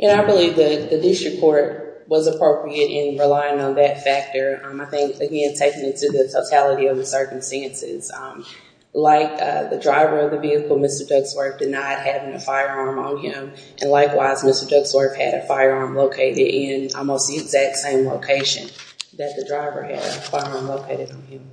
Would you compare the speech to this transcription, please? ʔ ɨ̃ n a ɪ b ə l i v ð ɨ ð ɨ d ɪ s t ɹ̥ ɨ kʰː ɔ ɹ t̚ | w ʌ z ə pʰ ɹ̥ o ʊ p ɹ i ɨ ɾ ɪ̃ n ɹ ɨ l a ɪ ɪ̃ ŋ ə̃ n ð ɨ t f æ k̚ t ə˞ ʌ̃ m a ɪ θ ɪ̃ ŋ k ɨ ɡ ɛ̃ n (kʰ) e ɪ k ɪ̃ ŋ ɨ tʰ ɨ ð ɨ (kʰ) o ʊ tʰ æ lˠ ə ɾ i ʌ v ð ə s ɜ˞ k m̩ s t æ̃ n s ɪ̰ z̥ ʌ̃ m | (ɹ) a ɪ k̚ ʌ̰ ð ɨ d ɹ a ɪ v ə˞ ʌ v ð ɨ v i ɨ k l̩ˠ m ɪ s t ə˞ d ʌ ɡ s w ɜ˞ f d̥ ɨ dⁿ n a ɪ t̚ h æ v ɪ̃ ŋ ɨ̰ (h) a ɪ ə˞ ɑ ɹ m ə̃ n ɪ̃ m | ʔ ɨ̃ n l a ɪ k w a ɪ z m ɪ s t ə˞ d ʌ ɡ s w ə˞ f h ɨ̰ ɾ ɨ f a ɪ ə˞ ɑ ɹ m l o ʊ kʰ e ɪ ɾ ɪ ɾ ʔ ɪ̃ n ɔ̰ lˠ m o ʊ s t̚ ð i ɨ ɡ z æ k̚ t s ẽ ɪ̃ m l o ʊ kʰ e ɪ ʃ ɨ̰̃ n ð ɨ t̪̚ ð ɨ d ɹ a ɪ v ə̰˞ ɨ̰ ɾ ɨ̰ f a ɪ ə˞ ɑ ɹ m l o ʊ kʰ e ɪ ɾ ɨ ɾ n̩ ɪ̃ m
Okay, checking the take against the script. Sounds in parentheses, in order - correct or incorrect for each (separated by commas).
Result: incorrect, incorrect, incorrect, incorrect